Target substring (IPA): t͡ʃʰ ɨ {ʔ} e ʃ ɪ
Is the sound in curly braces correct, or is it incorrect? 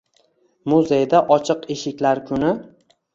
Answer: incorrect